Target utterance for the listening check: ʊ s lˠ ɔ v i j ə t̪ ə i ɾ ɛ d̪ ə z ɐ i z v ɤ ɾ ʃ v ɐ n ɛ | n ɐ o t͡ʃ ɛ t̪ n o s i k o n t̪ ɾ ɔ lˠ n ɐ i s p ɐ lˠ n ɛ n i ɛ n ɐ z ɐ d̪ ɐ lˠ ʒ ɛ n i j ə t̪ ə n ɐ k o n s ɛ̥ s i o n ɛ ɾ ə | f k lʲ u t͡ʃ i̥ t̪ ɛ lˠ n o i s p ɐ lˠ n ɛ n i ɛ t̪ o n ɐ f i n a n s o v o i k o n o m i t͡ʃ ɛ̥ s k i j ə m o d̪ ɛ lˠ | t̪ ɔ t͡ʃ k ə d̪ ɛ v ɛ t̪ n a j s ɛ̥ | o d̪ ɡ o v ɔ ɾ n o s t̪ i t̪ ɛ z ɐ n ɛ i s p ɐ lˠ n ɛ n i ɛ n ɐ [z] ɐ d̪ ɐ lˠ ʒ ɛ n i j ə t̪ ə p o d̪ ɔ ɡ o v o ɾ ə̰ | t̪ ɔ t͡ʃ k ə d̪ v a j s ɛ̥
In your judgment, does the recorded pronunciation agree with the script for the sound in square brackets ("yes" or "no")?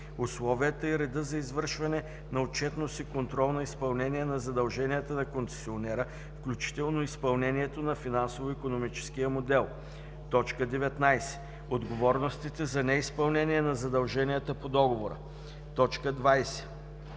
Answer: yes